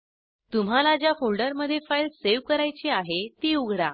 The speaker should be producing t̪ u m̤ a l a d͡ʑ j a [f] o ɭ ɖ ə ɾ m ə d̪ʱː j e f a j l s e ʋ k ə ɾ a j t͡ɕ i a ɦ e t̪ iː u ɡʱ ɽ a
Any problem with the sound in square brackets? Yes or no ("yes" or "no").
no